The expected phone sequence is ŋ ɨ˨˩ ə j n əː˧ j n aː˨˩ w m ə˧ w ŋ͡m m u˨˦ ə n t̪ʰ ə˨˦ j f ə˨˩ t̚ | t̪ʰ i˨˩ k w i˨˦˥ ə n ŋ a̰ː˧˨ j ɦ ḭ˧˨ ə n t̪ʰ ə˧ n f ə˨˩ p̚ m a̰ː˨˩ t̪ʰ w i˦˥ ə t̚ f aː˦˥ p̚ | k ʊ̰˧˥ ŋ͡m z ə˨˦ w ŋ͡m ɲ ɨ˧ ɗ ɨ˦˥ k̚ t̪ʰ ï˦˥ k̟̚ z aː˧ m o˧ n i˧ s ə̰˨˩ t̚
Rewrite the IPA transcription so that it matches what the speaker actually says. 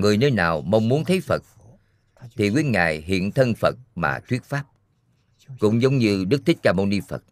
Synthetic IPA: ŋ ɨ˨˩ ə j n əː˧ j n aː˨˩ w m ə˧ w ŋ͡m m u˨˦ ə n t̪ʰ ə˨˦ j f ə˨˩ t̚ | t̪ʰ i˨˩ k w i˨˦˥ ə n ŋ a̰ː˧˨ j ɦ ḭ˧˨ ə n t̪ʰ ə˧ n f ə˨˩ t̚ m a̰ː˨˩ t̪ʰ w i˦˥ ə t̚ f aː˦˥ p̚ | k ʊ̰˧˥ ŋ͡m z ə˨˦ w ŋ͡m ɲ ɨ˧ ɗ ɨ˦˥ k̚ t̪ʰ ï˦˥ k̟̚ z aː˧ m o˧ n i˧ f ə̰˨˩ t̚